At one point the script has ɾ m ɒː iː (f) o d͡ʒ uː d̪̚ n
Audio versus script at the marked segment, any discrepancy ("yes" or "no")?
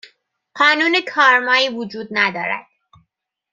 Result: yes